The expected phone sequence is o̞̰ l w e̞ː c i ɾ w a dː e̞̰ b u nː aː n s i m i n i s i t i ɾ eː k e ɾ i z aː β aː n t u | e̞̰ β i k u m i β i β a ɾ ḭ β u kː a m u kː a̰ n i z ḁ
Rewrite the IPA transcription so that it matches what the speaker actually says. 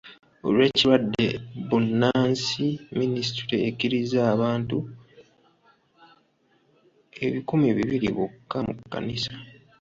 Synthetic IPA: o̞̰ l w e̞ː c i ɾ w a dː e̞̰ b u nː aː n s i m i n i s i t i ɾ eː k i ɾ i z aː β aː n t u | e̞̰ β i k u m i β i β i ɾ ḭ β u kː a m u kː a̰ n i s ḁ

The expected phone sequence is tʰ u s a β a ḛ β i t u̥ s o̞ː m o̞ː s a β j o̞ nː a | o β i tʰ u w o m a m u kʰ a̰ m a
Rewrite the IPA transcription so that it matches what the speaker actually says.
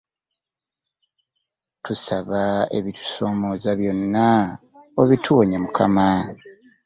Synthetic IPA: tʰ u s a β a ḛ β i t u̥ s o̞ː m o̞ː z a β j o̞ nː a | o β i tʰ u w o ɲ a m u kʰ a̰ m a

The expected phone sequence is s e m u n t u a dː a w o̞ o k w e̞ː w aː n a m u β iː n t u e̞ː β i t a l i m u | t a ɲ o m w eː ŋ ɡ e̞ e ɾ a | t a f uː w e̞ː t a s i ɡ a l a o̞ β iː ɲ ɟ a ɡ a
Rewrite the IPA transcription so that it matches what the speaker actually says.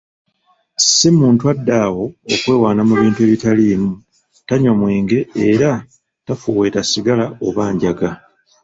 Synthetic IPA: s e m uː n t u a dː a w o̞ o k w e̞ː w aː n a m u β iː n t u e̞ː β i t a l i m u | t a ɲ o m w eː ŋ ɡ e̞ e ɾ a | t a f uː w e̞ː t a s i ɡ a l a o̞ β aː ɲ ɟ a ɡ a

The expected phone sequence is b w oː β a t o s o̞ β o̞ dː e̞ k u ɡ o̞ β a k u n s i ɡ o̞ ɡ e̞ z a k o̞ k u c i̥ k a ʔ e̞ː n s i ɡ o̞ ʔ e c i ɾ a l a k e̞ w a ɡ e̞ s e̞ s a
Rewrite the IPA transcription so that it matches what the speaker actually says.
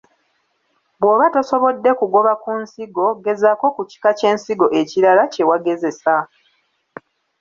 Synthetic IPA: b w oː β a t o s o̞ β o̞ dː e̞ k u ɡ o̞ β a k u n s i ɡ o̞ ɡ e̞ z a k o̞ k u c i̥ k a c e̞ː n s i ɡ o̞ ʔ e c i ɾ a l a c e̞ w a ɡ e̞ z e̞ s a

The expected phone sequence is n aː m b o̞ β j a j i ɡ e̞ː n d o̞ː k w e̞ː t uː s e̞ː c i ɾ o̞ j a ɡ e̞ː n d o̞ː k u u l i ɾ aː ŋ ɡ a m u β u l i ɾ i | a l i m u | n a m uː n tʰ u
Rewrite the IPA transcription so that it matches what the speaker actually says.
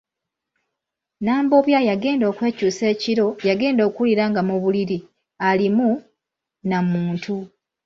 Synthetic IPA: n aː m b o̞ β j a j a ɡ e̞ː n d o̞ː k w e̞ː c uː s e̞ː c i ɾ o̞ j a ɡ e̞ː n d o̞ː k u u l i ɾ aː ŋ ɡ a m u β u l i ɾ i | a l i m u | n a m uː n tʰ u

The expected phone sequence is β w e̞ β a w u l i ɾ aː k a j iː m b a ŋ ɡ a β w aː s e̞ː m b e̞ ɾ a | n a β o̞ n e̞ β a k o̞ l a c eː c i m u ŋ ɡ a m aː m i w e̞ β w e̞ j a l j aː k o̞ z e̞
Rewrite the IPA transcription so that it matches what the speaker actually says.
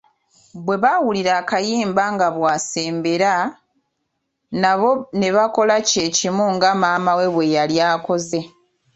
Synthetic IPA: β w e̞ β a w u l i ɾ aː k a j iː m b a ŋ ɡ a β w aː s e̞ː m b e̞ ɾ a | n a β o̞ n e̞ β a k o̞ l a c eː c i m u ŋ ɡ a m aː m a w e̞ β w e̞ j a l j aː k o̞ z e̞

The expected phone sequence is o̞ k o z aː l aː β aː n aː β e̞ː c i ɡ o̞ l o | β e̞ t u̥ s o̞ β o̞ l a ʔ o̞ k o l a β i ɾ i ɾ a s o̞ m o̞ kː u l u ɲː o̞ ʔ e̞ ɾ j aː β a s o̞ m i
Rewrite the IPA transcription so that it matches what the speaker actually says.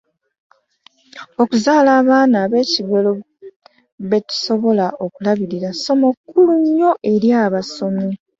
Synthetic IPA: o̞ k u z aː l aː β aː n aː β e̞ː c i ɡ o̞ l o | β e̞ t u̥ s o̞ β o̞ l a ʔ o̞ k u l a β i ɾ i ɾ a s o̞ m o̞ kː u l u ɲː o̞ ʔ e̞ ɾ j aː β a s o̞ m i

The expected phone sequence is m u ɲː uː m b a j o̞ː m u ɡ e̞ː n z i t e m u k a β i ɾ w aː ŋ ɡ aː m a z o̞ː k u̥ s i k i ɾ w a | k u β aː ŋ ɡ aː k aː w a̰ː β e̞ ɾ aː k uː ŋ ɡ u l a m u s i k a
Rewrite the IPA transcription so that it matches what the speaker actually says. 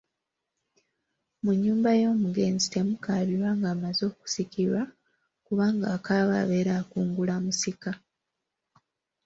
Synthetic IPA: m u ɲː uː m b a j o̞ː m u ɡ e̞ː n z i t e m u k a β i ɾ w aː ŋ ɡ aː m a z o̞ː k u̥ s i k i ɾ w a | k u β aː ŋ ɡ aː k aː β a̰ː β e̞ ɾ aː k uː ŋ ɡ u l a m u s i k a

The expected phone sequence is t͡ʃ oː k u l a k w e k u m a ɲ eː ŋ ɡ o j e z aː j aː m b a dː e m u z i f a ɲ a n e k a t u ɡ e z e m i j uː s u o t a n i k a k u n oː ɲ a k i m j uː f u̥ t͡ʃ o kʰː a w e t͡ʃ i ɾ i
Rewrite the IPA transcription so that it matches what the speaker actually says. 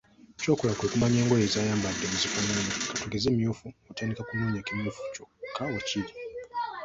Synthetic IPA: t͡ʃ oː k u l a k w e k u m a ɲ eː ŋ ɡ o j e z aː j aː m b a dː e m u z i f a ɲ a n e k a t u ɡ e z e m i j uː f u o t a n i k a k u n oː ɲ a k i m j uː f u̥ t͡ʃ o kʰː a w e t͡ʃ i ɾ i

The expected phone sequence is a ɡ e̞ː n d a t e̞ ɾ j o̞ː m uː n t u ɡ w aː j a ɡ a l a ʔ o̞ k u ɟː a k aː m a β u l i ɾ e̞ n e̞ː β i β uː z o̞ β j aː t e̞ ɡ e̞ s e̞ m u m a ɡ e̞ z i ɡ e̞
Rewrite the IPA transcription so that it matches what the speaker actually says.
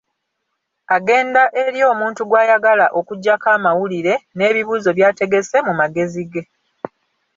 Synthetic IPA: a ɡ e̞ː n d a ʔ e̞ ɾ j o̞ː m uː n t u ɡ w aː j a ɡ a l a ʔ o̞ k u ɟː a k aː m a w u l i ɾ e̞ n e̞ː β i β uː z o̞ β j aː t e̞ ɡ e̞ s e̞ m u m a ɡ e̞ z i ɡ e̞

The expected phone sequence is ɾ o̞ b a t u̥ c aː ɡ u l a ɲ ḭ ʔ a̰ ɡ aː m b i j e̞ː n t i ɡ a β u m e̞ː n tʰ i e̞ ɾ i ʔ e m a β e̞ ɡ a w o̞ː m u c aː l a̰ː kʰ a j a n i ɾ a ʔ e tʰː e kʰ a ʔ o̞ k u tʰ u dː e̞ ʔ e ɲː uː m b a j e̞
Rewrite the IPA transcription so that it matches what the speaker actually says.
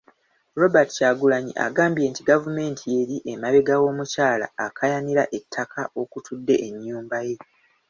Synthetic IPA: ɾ o̞ b a t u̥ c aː ɡ u l a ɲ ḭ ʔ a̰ ɡ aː m b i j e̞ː n t i ɡ a v u m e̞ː n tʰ i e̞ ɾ i ʔ e m a β e̞ ɡ a w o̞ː m u c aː l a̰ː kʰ a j a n i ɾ a ʔ e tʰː a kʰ a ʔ o̞ k u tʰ u dː e̞ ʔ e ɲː uː m b a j e̞

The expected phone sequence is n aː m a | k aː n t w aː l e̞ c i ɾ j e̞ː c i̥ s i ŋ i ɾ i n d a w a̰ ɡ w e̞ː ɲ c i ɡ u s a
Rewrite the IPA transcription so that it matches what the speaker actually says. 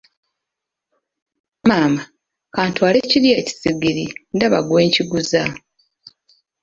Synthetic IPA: m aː m a | k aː n t w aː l e̞ c i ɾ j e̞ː c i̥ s i ɡ i ɾ i n d a β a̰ ɡ w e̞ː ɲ c i ɡ u z a

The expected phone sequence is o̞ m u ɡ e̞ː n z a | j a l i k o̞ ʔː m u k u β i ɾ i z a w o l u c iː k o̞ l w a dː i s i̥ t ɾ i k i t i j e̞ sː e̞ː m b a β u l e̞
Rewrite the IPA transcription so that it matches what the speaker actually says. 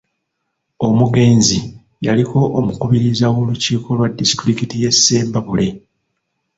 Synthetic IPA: o̞ m u ɡ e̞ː n z i | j a l i k o̞ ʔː m u k u β i ɾ i z a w o l u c iː k o̞ l w a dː i s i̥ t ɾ i k i t i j e̞ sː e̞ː m b a β u l e̞

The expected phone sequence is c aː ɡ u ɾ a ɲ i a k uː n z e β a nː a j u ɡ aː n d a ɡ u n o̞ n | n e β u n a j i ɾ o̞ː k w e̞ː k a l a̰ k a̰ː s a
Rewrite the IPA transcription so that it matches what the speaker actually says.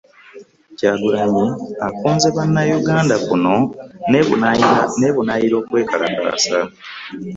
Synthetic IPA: c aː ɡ u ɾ a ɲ i a k uː n z e β a nː a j u ɡ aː n d a k u n o̞ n | n e β u n a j i ɾ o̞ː k w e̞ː k a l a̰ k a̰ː s a

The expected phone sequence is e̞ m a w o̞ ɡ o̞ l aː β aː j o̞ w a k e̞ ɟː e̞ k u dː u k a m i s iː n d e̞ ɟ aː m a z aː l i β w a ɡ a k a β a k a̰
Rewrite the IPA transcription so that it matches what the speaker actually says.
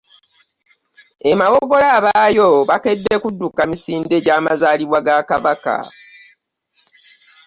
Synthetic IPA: e̞ m a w o̞ ɡ o̞ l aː β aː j o̞ β a k e̞ dː e̞ k u dː u k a m i s iː n d e̞ ɟ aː m a z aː l i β w a ɡ a k a β a k a̰

